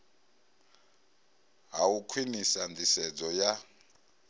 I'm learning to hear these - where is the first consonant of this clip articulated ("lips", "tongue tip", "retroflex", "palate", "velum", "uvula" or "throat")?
throat